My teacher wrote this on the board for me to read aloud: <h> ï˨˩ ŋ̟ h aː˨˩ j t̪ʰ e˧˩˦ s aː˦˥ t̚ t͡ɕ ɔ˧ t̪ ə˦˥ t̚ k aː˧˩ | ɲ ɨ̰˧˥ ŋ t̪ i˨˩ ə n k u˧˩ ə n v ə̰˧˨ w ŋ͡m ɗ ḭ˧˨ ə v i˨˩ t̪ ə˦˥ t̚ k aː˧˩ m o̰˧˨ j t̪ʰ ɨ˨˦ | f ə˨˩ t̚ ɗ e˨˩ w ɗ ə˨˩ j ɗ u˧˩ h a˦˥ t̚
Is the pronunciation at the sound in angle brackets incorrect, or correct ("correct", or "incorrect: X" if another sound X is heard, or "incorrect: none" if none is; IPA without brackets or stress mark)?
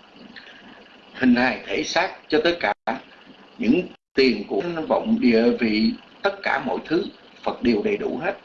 correct